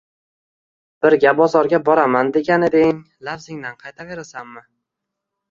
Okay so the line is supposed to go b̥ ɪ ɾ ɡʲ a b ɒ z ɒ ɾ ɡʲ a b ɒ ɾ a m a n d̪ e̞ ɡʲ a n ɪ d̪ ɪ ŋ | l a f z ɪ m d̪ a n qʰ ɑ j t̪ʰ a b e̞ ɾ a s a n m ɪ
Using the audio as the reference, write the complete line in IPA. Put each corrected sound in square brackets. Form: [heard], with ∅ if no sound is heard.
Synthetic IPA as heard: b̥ ɪ ɾ ɡʲ a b ɒ z ɒ ɾ ɡʲ a b ɒ ɾ a m a n d̪ e̞ ɡʲ a n ɪ d̪ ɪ ŋ | l a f z ɪ [ŋ] d̪ a n qʰ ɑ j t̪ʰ a [v] e̞ ɾ a s a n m ɪ